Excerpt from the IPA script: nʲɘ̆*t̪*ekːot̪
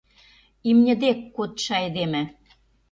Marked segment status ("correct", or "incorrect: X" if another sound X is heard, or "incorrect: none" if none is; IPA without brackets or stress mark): incorrect: d̪